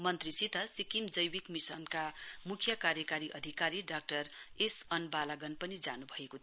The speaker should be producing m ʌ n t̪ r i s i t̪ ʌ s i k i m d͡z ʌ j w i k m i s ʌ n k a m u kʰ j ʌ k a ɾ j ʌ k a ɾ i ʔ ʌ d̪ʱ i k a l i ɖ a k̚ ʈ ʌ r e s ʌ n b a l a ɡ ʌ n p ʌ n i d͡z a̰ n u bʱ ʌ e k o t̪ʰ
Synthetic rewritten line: m ʌ n t̪ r i s i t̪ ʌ s i k i m d͡z ʌ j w i k m i s ʌ n k a m u kʰ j ʌ k a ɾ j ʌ k a ɾ i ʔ ʌ d̪ʱ i k a ɾ i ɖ a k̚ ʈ ʌ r e s ʌ n b a l a ɡ ʌ n p ʌ n i d͡z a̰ n u bʱ ʌ e k o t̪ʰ